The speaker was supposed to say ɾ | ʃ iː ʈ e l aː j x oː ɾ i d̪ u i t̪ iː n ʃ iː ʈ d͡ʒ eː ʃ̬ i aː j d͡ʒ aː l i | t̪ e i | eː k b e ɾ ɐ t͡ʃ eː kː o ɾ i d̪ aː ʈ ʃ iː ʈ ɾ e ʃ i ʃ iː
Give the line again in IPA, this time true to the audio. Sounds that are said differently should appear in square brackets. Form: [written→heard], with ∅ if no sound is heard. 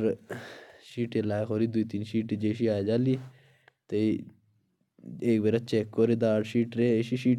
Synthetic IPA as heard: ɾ | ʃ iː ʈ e l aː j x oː ɾ i d̪ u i t̪ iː n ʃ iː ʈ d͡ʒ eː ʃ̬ i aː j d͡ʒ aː l i | t̪ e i | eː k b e ɾ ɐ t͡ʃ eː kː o ɾ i d̪ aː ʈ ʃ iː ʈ ɾ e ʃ i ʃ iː